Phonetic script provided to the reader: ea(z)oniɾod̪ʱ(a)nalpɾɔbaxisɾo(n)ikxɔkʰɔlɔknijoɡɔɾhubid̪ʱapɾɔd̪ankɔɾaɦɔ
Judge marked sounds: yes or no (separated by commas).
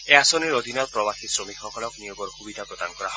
no, no, no